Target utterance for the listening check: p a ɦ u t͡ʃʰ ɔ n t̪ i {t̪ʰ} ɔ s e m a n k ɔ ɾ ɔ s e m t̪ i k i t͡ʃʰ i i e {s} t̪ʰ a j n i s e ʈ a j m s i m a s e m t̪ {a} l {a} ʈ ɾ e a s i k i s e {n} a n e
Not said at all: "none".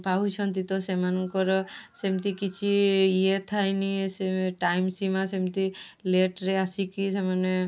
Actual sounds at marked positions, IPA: t̪, none, i, e, m

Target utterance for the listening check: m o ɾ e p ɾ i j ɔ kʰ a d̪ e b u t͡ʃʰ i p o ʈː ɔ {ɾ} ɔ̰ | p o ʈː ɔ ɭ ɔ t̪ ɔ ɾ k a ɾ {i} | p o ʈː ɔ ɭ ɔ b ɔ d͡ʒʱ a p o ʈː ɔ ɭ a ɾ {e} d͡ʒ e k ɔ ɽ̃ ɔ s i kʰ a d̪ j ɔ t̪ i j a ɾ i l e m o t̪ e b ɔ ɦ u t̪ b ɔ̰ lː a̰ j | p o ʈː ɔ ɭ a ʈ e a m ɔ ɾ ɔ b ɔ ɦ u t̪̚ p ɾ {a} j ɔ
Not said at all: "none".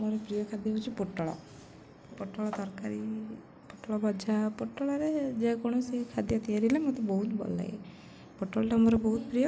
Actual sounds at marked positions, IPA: ɭ, i, e, i

